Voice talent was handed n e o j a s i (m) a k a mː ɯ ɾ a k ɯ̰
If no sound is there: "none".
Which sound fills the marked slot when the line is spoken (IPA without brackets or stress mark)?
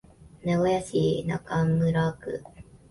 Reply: n